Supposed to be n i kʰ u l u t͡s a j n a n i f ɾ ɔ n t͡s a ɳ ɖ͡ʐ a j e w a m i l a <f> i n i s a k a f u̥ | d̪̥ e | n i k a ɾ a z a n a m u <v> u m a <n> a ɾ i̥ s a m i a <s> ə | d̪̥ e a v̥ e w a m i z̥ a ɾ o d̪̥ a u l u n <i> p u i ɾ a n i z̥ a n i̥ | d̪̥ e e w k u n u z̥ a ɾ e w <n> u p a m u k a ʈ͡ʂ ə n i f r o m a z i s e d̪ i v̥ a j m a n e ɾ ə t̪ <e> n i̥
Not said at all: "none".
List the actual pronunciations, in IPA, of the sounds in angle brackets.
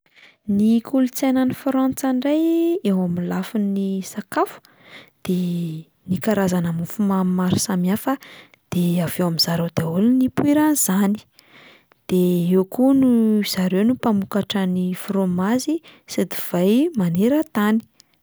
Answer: f, f, m, f, i, n, a

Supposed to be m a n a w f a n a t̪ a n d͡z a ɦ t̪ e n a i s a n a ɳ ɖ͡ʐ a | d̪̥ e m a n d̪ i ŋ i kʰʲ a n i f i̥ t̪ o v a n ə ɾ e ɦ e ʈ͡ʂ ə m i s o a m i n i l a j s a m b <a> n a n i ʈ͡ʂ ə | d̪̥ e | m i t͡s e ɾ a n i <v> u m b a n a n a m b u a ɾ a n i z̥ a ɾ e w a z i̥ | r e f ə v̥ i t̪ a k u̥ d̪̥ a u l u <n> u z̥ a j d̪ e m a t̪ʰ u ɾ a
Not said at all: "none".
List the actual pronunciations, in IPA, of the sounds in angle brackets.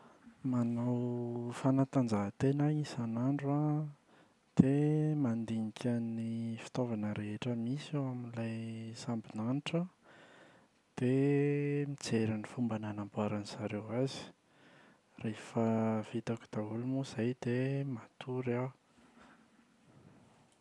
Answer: i, f, m

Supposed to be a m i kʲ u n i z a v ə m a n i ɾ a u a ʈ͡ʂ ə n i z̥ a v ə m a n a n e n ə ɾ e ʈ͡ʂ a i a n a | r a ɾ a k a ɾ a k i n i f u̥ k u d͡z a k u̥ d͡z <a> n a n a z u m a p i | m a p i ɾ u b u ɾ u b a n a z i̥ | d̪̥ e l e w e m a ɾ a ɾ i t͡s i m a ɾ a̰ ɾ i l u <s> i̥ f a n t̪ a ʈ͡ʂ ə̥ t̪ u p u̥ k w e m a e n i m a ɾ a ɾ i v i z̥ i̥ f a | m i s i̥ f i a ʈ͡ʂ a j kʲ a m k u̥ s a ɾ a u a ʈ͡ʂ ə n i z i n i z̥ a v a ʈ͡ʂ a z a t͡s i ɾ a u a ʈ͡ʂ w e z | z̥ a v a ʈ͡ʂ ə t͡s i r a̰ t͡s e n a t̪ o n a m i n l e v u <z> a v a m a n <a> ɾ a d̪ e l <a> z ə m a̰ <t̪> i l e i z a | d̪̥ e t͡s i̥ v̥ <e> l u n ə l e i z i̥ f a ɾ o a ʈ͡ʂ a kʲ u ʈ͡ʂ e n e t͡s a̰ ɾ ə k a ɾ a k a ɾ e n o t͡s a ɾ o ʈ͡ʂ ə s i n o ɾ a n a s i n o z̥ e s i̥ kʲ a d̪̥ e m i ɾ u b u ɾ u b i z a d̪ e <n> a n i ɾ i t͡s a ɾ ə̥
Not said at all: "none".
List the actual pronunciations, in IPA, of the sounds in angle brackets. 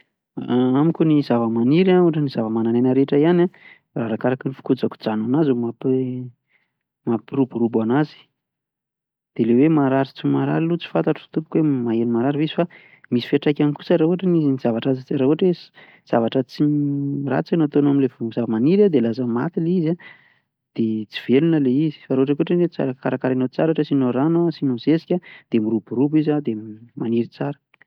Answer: a, t͡s, z, i, a, t̪, e, m

